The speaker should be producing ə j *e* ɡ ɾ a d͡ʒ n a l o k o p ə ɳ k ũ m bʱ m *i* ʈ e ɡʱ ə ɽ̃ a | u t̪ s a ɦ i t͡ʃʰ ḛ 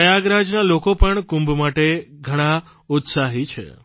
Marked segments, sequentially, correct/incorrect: incorrect: a, incorrect: a

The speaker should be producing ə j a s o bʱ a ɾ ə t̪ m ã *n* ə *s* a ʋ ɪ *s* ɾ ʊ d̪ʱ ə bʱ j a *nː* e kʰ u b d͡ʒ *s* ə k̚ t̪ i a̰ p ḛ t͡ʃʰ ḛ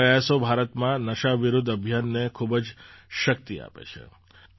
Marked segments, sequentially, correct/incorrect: correct, incorrect: ʃ, incorrect: none, correct, incorrect: ʃ

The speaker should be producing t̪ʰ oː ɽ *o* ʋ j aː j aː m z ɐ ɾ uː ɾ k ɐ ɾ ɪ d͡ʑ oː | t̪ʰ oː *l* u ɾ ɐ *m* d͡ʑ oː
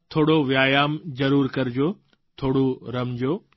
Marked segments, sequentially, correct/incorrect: correct, incorrect: ɽ, correct

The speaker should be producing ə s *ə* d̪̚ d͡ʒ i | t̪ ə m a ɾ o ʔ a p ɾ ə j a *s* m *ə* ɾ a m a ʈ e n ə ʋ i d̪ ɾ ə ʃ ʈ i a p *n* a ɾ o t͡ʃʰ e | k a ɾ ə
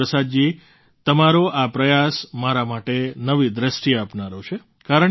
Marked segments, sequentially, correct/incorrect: incorrect: a, correct, incorrect: a, correct

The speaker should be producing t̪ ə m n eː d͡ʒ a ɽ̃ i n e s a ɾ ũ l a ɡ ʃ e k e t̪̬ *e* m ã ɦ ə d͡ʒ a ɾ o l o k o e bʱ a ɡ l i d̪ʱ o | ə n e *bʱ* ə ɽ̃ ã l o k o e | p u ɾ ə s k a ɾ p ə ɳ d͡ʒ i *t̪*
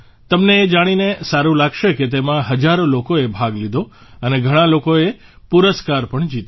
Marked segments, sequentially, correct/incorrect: correct, incorrect: ɡʱ, correct

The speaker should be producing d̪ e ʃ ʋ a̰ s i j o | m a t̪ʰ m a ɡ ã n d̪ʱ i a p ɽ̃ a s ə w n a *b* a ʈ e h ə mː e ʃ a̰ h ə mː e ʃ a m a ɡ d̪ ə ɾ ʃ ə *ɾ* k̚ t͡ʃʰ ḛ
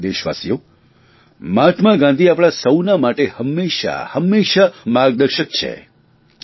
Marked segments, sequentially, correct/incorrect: incorrect: m, incorrect: none

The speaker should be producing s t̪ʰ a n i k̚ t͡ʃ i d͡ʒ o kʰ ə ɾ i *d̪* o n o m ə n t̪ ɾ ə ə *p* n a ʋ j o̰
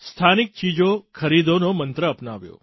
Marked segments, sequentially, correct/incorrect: correct, correct

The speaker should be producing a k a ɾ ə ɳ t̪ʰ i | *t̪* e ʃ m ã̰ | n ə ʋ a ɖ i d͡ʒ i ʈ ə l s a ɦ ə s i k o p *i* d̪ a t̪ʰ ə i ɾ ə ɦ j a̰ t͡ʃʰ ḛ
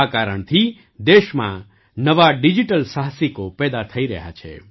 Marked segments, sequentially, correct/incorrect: incorrect: d̪, incorrect: ɛ

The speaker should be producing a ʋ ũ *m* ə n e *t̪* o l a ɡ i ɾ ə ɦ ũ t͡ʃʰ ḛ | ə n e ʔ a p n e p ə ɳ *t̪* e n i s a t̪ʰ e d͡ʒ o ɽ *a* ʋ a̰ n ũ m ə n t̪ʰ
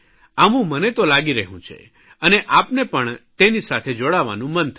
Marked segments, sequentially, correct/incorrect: correct, correct, correct, correct

